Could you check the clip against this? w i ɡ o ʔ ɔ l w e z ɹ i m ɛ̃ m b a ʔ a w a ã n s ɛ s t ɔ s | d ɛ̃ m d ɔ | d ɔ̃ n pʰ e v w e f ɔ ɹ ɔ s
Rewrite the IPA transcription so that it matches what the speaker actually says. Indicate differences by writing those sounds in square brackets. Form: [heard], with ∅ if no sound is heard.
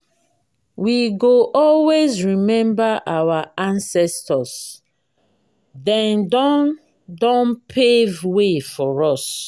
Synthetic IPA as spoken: w i ɡ o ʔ ɔ l w e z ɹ i m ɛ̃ m b a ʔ a w a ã n s ɛ s t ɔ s | d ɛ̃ [n] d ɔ | d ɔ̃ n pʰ e v w e f ɔ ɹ ɔ s